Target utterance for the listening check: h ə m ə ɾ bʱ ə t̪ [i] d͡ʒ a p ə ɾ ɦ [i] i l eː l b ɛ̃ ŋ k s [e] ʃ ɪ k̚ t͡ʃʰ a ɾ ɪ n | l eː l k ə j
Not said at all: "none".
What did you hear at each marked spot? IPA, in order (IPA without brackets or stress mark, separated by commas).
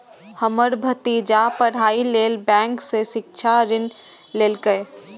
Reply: i, a, e